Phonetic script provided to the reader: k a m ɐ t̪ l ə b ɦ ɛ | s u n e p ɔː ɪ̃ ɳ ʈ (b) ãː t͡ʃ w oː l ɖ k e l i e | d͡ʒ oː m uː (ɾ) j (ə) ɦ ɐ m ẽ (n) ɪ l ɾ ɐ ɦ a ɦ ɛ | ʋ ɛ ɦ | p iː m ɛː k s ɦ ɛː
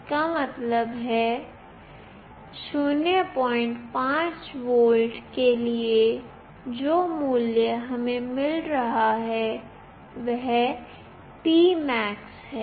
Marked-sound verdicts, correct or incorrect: incorrect: p, incorrect: l, correct, incorrect: m

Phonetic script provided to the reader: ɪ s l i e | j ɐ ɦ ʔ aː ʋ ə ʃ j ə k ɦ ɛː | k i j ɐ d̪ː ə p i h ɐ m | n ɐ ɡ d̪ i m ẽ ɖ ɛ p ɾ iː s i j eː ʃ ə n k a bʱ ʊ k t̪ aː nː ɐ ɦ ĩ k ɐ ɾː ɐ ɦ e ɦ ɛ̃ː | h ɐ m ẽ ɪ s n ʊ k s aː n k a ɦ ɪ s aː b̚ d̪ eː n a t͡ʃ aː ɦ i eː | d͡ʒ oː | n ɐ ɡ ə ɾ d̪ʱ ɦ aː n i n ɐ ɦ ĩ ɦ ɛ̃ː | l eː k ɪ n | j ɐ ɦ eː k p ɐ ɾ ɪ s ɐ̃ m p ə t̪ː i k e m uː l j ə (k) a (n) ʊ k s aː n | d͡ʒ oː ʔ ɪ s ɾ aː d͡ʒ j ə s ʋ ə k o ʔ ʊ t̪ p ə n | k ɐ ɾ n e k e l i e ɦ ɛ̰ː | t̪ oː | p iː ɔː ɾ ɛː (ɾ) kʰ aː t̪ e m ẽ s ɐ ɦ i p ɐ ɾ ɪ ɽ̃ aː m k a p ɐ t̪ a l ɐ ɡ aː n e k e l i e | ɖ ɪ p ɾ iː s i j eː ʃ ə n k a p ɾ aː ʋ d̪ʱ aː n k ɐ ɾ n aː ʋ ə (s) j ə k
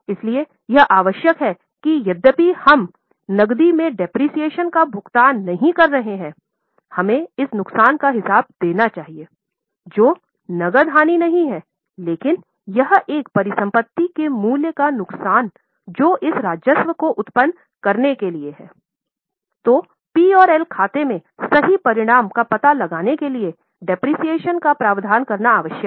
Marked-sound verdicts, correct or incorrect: correct, correct, incorrect: l, incorrect: ʃ

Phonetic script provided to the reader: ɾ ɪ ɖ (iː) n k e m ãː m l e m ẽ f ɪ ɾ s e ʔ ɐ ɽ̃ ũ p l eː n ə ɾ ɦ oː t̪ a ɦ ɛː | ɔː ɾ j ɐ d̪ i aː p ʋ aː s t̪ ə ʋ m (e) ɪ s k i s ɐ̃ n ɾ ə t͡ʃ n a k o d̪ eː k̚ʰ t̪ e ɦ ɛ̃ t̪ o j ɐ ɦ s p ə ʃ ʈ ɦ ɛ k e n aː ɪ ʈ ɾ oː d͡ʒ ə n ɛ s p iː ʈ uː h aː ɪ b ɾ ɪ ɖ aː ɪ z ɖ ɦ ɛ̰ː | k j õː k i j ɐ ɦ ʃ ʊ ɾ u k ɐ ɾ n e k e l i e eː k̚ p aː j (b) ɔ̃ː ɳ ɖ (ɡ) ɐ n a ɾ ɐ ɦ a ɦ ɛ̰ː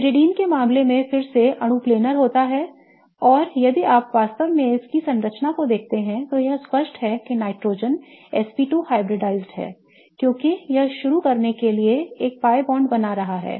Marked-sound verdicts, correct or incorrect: correct, incorrect: ẽ, correct, incorrect: b

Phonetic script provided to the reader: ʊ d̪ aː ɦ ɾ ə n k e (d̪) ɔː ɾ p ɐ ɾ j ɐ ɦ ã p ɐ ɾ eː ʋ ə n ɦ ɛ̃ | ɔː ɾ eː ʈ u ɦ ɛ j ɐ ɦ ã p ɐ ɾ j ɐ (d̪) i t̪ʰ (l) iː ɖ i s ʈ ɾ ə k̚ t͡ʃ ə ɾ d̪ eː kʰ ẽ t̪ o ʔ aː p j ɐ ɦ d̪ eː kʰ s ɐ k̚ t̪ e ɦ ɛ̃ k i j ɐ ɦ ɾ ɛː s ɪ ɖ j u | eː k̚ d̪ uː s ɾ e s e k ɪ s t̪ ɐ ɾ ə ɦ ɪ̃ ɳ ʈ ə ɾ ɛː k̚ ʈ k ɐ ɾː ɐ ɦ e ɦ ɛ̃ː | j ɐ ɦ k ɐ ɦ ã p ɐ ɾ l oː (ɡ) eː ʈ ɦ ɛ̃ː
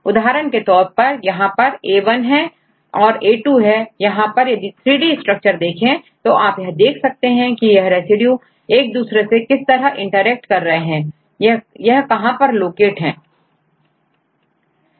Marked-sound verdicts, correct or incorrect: incorrect: t̪, correct, incorrect: ɾ, incorrect: k

